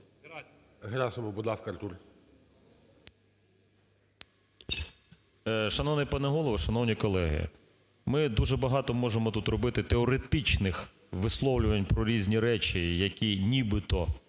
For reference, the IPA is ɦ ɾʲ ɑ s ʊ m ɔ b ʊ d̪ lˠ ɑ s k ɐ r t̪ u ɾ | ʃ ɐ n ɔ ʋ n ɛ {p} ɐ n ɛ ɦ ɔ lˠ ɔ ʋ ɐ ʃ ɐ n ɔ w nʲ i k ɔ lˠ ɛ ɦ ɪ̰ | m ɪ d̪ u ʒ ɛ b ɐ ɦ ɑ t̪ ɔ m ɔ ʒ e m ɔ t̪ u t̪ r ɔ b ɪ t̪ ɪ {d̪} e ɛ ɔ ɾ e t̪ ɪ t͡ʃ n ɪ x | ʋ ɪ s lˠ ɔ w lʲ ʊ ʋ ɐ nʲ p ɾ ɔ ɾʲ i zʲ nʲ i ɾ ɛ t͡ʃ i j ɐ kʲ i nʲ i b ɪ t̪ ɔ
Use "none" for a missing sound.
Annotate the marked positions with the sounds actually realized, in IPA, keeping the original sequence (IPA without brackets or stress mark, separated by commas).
p, t̪